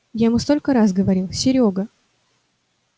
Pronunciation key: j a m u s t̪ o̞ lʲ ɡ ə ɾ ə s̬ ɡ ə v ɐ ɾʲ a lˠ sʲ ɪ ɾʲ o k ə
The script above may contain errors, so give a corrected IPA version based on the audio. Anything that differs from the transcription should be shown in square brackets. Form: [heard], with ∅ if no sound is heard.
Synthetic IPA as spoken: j a m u s t̪ o̞ lʲ [k] ə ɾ [a] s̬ ɡ ə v ɐ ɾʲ [i] lˠ sʲ ɪ ɾʲ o [ɡ] ə

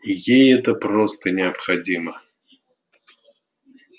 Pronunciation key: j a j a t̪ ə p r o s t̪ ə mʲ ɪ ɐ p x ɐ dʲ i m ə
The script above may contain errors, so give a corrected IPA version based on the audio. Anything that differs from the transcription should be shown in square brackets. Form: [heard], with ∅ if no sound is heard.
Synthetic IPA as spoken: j [e] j [ɛ] t̪ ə p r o s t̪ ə [nʲ] ɪ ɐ p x ɐ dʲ i m ə

